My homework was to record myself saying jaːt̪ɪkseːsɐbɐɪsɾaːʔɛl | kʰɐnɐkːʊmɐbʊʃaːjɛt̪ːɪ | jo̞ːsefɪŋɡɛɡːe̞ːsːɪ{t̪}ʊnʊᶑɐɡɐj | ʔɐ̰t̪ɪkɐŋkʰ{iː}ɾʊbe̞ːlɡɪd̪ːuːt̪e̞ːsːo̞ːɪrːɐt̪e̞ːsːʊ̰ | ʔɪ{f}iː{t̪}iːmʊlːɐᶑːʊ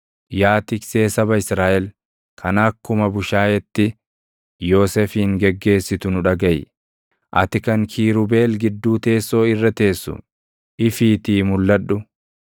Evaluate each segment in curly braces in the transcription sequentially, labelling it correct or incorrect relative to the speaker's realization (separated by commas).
correct, correct, correct, correct